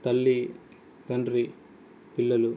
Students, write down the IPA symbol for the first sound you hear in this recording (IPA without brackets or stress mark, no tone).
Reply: t̪